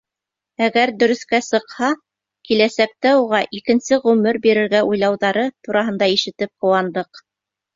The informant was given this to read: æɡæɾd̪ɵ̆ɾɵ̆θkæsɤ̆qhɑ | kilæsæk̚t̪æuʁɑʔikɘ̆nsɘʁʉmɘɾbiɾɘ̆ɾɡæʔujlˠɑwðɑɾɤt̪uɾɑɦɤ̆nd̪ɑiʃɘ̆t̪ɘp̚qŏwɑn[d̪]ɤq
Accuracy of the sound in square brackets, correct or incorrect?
correct